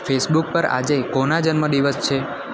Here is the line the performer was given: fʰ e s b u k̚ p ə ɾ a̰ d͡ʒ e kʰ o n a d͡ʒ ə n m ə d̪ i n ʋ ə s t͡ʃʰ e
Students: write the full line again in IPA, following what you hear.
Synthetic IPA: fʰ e s b u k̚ p ə ɾ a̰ d͡ʒ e k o n a d͡ʒ ə n m ə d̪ i ʋ ə s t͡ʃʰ e